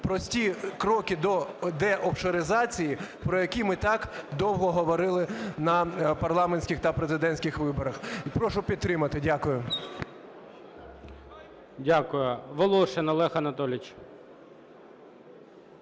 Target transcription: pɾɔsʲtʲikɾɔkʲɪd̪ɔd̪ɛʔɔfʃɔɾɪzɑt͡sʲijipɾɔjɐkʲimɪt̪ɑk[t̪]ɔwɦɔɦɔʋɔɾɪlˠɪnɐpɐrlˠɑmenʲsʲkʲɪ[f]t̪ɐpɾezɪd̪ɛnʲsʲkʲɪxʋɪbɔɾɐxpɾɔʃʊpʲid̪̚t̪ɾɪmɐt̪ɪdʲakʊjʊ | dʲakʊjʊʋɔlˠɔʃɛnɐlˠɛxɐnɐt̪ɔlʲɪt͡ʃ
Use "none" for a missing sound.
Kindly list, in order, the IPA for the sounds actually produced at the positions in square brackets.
d̪, x

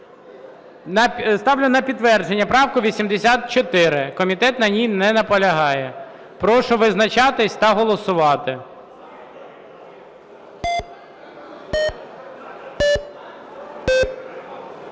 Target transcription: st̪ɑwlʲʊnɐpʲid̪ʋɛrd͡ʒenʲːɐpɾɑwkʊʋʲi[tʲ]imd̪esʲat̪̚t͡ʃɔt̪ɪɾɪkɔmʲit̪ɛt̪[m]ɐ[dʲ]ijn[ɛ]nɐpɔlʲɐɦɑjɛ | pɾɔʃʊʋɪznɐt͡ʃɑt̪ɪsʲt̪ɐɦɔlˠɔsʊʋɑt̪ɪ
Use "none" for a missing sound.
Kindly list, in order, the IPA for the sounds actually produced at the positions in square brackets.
sʲ, n, nʲ, ɛ

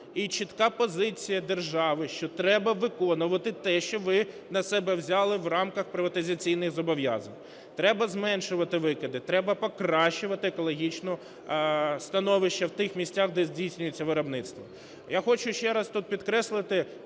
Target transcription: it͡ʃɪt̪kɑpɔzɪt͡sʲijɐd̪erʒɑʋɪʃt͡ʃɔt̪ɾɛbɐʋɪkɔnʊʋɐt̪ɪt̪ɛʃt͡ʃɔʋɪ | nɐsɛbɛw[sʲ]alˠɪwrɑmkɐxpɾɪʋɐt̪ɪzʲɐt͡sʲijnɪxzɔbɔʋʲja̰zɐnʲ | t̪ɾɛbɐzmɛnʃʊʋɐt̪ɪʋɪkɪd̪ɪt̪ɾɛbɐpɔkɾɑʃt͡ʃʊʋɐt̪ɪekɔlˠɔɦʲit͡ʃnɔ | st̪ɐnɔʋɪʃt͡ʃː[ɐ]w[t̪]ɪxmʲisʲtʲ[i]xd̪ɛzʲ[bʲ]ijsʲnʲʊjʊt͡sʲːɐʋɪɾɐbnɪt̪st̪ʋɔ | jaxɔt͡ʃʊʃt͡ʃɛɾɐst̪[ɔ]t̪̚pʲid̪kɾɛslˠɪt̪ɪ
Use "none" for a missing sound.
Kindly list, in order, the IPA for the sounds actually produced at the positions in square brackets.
zʲ, ɐ, t̪, a, dʲ, u

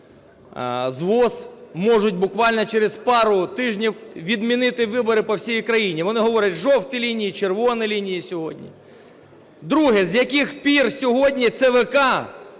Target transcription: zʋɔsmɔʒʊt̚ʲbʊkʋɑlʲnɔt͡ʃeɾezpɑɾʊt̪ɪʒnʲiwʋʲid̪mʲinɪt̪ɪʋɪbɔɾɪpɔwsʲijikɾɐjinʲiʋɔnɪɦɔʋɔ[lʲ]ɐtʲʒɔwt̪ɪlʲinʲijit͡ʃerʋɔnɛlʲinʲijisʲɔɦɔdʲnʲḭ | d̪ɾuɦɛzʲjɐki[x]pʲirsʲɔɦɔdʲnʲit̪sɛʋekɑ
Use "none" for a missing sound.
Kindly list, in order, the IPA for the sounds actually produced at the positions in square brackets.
ɾʲ, x

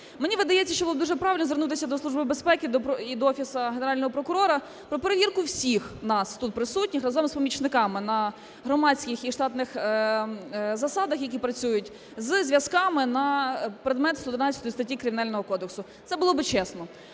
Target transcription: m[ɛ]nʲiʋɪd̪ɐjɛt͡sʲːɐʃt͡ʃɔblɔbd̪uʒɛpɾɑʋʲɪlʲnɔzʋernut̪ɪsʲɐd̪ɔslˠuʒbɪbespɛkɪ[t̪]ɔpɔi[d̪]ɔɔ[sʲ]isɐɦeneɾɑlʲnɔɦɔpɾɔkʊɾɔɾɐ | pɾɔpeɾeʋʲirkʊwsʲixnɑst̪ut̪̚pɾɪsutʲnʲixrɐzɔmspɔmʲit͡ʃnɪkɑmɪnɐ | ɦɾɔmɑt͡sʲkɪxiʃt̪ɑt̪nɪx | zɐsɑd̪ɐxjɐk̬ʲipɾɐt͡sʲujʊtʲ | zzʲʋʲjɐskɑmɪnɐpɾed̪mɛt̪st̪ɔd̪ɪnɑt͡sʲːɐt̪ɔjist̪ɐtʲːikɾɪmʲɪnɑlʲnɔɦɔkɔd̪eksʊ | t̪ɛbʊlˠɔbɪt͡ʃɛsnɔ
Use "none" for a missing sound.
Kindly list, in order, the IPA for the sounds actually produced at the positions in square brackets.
e, d̪, d̪, fʲ

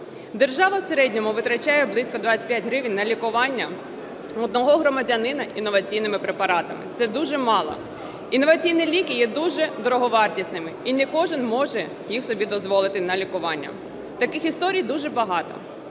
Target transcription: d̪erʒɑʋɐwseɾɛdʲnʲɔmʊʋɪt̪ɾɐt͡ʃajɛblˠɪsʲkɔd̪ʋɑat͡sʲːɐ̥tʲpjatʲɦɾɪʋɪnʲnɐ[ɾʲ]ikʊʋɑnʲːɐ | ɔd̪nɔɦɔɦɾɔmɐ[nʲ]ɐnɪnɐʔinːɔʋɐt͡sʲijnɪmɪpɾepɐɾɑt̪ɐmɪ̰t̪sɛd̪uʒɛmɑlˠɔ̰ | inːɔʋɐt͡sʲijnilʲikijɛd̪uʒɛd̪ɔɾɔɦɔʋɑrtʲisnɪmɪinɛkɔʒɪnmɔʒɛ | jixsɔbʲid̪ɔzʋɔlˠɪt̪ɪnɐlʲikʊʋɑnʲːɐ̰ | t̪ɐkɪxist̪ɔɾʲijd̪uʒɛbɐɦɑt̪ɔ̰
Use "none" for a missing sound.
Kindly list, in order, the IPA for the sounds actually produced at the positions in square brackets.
lʲ, dʲ

